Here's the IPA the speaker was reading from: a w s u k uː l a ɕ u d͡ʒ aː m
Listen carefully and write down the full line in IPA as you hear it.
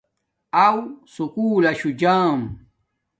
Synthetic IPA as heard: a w s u k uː l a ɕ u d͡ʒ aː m